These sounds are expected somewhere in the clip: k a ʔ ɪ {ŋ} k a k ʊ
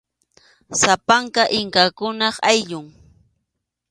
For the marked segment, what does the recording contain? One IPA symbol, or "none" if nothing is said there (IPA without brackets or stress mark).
ŋ